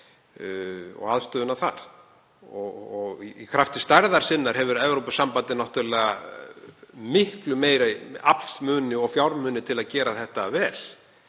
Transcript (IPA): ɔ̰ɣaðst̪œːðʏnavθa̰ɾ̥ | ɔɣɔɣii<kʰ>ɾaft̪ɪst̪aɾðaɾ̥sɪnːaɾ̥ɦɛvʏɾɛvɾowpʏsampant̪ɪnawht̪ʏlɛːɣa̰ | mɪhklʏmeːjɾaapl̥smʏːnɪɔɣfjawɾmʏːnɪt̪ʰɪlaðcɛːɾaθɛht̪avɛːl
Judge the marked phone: correct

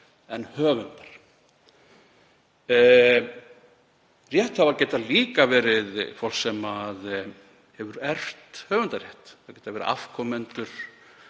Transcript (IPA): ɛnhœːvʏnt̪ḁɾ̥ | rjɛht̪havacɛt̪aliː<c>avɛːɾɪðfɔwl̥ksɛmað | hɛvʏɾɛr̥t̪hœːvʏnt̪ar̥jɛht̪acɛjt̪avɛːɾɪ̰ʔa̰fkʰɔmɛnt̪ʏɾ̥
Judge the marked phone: incorrect: k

